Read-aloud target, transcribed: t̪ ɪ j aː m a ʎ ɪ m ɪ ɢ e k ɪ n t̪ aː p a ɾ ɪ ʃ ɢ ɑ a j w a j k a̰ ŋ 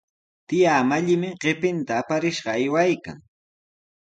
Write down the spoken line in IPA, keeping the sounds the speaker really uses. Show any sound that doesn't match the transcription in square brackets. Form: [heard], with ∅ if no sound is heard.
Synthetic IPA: t̪ ɪ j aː m a ʎ ɪ m ɪ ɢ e [p] ɪ n t̪ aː p a ɾ ɪ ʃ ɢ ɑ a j w a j k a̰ ŋ